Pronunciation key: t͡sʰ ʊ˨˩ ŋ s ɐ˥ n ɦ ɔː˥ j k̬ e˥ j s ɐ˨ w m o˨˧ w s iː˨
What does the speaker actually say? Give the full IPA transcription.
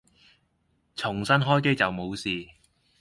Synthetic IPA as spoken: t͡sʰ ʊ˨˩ ŋ s ɐ˥ n ɦ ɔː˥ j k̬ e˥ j t͡s ɐ˨ w m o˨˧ w s iː˨

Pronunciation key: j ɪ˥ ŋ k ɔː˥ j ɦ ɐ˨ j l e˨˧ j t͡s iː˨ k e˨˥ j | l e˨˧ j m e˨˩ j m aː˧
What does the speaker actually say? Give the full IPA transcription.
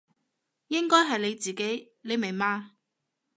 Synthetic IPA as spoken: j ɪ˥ ŋ k ɔː˥ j ɦ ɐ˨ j l e˨˧ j t͡s iː˨ k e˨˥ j | l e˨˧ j m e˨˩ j m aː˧

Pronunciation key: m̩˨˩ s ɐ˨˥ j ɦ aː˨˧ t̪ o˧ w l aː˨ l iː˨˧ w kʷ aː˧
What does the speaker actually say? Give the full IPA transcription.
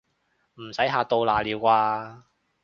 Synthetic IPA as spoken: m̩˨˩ s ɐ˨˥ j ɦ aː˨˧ t̪ o˧ w l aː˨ l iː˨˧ w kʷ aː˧

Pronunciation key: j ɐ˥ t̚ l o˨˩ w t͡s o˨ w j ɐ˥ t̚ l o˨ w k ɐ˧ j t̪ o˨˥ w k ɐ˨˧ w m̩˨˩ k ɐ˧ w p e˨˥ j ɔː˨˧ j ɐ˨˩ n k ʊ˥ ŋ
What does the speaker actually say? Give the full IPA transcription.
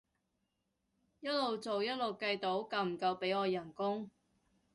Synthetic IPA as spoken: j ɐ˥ t̚ l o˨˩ w t͡s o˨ w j ɐ˥ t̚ l o˨ w k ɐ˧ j t̪ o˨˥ w k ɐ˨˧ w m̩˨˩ k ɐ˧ w p e˨˥ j ɔː˨˧ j ɐ˨˩ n k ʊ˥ ŋ

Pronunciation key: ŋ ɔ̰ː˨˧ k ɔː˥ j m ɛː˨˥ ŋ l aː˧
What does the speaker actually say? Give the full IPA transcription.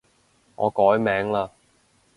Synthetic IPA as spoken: ŋ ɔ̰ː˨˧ k ɔː˨˥ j m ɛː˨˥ ŋ l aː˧

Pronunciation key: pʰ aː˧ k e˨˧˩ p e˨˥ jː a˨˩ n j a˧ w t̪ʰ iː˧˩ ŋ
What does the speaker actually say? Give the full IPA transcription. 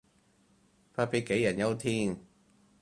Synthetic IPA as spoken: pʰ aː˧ p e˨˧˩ k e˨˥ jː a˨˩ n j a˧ w t̪ʰ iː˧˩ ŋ

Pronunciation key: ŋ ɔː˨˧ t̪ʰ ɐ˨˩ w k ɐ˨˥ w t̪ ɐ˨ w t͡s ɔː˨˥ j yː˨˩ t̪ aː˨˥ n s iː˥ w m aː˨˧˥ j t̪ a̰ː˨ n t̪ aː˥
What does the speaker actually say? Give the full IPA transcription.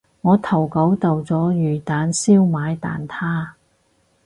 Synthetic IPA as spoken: ŋ ɔː˨˧ t̪ʰ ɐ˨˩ w k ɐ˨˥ w t̪ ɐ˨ w t͡s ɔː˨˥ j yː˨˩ t̪ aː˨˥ n s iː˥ w m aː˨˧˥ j t̪ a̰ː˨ n t̪ʰ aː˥

